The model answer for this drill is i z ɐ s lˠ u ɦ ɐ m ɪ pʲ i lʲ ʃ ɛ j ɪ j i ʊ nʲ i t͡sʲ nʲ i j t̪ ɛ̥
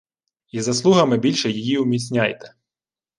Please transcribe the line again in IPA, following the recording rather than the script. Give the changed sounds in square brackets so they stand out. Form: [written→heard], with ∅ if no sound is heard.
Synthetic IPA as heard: i z ɐ s lˠ u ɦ ɐ m ɪ [pʲ→bʲ] i lʲ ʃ ɛ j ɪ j i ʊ [nʲ→mʲ] i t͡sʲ nʲ [i→a] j t̪ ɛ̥